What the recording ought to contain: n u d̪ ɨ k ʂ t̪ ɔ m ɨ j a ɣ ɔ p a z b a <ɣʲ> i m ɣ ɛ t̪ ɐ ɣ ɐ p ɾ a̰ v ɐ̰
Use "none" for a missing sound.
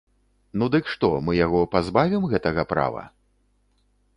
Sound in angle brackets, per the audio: vʲ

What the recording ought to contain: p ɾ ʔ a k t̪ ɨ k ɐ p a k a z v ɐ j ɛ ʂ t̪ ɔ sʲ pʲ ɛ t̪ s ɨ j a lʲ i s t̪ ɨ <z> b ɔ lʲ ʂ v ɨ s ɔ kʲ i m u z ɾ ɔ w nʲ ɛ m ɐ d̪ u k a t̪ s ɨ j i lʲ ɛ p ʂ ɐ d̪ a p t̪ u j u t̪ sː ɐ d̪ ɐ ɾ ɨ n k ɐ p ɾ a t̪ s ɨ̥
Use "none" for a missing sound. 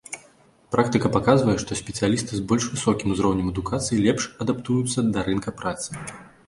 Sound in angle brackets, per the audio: z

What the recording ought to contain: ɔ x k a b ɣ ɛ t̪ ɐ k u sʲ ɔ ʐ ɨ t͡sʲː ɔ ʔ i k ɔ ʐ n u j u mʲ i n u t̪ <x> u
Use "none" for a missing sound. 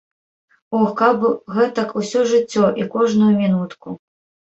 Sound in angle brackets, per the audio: k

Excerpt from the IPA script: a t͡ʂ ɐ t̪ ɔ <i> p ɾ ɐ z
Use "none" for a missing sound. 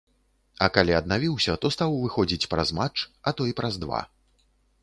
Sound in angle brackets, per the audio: i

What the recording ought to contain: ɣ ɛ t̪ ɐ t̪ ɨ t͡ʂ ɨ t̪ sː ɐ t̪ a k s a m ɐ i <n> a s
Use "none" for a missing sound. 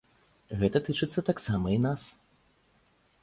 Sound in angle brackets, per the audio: n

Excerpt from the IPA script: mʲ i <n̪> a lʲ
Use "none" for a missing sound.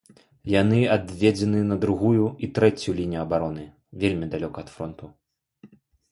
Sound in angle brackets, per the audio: d̪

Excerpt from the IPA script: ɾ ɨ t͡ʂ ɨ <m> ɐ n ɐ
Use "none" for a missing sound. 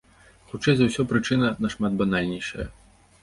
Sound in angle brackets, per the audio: n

